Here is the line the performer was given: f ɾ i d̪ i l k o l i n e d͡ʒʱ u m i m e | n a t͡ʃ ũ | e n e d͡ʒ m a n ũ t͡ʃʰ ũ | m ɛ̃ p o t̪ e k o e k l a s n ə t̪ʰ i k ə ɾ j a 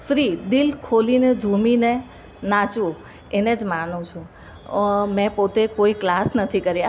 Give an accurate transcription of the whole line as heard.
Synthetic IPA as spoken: f ɾ i d̪ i l kʰ o l i n e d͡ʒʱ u m i n e | n a t͡ʃ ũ | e n e d͡ʒ m a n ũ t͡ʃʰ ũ | m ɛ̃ p o t̪ e k o i k l a s n ə t̪ʰ i k ə ɾ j a